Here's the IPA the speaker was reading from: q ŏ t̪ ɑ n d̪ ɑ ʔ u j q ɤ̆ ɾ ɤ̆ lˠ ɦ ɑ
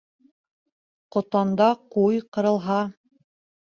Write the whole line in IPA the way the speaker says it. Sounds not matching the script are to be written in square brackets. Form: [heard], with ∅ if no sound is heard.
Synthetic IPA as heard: q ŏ t̪ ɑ n d̪ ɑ [q] u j q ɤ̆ ɾ ɤ̆ lˠ ɦ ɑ